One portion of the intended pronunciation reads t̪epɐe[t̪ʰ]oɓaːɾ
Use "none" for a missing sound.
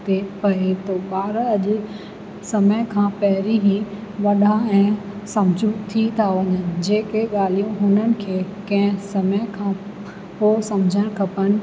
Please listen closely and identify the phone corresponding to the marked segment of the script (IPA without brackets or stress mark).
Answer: t̪